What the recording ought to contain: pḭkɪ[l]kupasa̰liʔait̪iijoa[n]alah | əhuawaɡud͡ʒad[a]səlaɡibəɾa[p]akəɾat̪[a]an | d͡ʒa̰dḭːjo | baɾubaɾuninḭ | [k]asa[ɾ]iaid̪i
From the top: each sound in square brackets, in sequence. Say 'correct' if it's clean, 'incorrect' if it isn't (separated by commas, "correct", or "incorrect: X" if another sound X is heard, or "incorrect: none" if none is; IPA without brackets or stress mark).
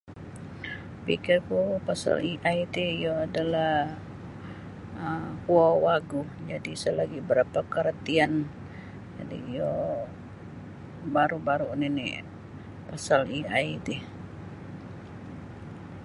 incorrect: r, incorrect: d, incorrect: i, correct, incorrect: i, incorrect: p, incorrect: l